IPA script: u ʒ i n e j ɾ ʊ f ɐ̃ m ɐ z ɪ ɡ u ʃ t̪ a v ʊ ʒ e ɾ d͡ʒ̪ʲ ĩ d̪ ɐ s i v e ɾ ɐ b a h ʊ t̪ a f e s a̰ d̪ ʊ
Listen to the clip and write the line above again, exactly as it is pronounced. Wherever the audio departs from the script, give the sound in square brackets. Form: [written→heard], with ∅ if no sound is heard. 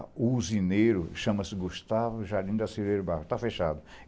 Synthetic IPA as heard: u [ʒ→z] i n e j ɾ ʊ [f→ʃ] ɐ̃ m ɐ [z→s] ɪ ɡ u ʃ t̪ a v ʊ ʒ [e→a] ɾ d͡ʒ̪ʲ ĩ d̪ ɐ s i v e ɾ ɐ b a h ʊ t̪ a f e [s→ʃ] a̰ d̪ ʊ

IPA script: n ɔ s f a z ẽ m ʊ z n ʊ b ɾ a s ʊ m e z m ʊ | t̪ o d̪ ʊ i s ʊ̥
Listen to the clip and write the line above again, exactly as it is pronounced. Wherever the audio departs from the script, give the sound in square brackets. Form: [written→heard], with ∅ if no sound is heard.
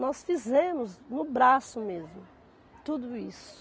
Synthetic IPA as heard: n ɔ s f [a→i] z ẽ m ʊ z n ʊ b ɾ a s ʊ m e z m ʊ | t̪ [o→u] d̪ ʊ i s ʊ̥

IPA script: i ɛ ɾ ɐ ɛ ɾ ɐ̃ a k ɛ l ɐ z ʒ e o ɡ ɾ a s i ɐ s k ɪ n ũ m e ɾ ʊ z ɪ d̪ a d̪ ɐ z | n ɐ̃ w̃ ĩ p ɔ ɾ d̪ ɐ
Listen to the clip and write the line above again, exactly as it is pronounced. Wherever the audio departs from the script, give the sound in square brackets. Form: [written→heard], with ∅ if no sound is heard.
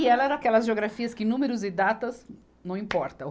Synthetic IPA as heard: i ɛ [ɾ→l] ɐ ɛ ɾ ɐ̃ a k ɛ l ɐ z ʒ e o ɡ ɾ a [s→f] i ɐ s k ɪ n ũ m e ɾ ʊ z ɪ d̪ a [d̪→t̪] ɐ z | n ɐ̃ w̃ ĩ p ɔ ɾ [d̪→t̪] ɐ

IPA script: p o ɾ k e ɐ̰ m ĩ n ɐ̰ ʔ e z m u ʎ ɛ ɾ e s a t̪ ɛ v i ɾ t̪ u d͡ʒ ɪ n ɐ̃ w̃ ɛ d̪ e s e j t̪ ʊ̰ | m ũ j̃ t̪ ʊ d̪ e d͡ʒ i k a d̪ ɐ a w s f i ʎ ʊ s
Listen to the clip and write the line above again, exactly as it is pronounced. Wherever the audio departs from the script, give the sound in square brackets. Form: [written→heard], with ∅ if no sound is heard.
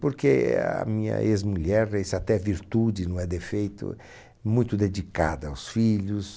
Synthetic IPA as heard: p o ɾ k e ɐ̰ m ĩ [n→ɲ] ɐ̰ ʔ e z m u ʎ ɛ ɾ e s a t̪ ɛ v i ɾ t̪ u d͡ʒ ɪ n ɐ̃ w̃ ɛ d̪ e [s→f] e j t̪ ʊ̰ | m ũ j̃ t̪ ʊ d̪ e d͡ʒ i k a d̪ ɐ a w s f i ʎ ʊ s

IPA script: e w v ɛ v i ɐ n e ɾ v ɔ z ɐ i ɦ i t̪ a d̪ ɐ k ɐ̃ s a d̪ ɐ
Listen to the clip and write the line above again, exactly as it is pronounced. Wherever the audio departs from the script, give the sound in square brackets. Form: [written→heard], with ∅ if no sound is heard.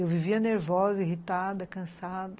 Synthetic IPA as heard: e w v [ɛ→i] v i ɐ n e ɾ v ɔ z ɐ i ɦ i t̪ a d̪ ɐ k ɐ̃ s a d̪ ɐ

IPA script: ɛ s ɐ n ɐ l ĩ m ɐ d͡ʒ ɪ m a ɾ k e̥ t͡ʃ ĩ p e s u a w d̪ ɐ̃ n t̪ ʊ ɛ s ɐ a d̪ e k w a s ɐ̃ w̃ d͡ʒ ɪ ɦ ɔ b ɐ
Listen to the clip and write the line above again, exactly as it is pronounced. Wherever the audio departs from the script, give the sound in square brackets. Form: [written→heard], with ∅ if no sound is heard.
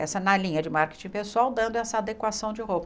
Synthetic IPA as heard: ɛ s ɐ n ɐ l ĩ [m→ɲ] ɐ d͡ʒ ɪ m a ɾ k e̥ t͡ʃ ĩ p e s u a w d̪ ɐ̃ n [t̪→d̪] ʊ ɛ s ɐ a d̪ e k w a s ɐ̃ w̃ d͡ʒ ɪ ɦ [ɔ→o] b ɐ

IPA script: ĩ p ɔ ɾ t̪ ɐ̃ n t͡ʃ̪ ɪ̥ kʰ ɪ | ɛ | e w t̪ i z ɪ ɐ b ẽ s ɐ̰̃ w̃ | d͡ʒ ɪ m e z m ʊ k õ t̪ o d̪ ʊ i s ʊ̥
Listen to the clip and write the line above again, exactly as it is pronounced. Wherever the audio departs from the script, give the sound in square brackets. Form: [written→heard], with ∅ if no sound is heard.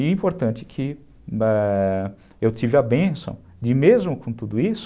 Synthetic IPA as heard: ĩ p [ɔ→o] ɾ t̪ ɐ̃ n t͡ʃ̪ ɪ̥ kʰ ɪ | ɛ | e w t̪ i [z→v] ɪ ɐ b ẽ s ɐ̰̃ w̃ | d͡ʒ ɪ m e z m ʊ k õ t̪ [o→u] d̪ ʊ i s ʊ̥

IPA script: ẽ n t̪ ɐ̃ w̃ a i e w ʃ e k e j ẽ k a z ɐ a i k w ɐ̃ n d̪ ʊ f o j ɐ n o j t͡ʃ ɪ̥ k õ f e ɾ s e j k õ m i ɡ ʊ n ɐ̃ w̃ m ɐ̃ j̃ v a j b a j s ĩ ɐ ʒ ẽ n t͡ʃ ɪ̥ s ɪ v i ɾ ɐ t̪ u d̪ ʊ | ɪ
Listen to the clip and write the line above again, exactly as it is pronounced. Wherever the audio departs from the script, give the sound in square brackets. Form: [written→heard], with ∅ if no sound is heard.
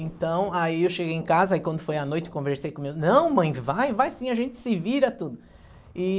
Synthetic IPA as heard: ẽ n t̪ ɐ̃ w̃ a i e w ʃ e [k→ɡ] e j ẽ k a z ɐ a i k w ɐ̃ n d̪ ʊ f o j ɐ n o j t͡ʃ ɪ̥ k õ [f→v] e ɾ s e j k õ m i ɡ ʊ n ɐ̃ w̃ m ɐ̃ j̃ v a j [b→v] a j s ĩ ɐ ʒ ẽ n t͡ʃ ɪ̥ s ɪ v i ɾ ɐ t̪ u d̪ ʊ | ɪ

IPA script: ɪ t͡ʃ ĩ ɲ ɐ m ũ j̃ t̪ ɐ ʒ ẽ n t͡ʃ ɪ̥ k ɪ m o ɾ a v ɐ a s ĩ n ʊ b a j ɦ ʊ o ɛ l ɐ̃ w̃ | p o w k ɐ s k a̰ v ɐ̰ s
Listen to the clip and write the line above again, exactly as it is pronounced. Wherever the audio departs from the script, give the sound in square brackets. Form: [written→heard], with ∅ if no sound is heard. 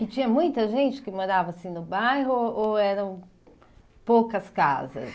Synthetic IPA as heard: ɪ t͡ʃ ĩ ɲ ɐ m ũ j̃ t̪ ɐ ʒ ẽ n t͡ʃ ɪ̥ k ɪ m o ɾ a v ɐ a s ĩ n ʊ b a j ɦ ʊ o ɛ [l→ɾ] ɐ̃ w̃ | p o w k ɐ s k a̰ [v→z] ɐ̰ s

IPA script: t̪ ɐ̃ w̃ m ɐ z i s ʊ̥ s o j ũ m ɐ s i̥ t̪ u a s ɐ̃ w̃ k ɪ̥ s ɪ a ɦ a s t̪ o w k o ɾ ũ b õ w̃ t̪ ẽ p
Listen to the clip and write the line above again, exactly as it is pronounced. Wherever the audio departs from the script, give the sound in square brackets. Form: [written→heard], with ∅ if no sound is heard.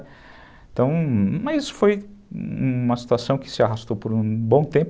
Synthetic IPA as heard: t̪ ɐ̃ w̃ m ɐ z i s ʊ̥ [s→f] o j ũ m ɐ s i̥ t̪ u a s ɐ̃ w̃ k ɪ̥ s ɪ a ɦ a s t̪ o w [k→p] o ɾ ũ b õ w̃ t̪ ẽ p

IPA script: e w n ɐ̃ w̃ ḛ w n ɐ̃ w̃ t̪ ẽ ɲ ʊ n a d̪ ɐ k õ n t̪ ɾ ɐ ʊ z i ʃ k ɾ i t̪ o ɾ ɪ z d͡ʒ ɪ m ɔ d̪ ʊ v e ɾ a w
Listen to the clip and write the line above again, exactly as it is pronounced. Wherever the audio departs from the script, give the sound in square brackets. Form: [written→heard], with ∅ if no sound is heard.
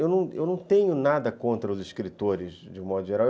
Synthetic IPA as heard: e w n ɐ̃ w̃ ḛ w n ɐ̃ w̃ t̪ ẽ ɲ ʊ n a d̪ ɐ k õ n t̪ ɾ ɐ ʊ z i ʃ k ɾ i t̪ o ɾ ɪ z d͡ʒ ɪ m ɔ d̪ ʊ [v→ʒ] e ɾ a w

